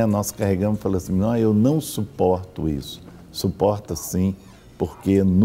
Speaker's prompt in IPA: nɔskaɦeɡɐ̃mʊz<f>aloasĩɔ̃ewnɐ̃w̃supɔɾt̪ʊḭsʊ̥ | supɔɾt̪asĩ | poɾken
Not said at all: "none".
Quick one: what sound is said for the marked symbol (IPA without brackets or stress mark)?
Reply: f